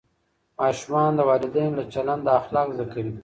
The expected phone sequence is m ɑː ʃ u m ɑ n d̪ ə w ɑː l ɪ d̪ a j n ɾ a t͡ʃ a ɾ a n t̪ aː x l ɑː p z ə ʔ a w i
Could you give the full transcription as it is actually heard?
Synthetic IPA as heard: m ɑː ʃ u m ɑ n d̪ ə w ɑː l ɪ d̪ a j n l a t͡ʃ a l a n d̪ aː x l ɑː k z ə k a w i